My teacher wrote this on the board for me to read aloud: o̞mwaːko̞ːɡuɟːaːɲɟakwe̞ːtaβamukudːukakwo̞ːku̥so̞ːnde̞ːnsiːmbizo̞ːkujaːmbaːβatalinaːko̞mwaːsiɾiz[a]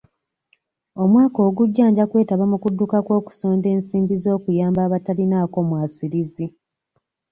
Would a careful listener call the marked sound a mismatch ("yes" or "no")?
yes